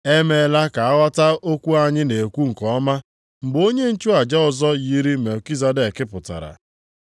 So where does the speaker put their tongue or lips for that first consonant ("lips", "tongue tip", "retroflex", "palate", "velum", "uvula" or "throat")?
lips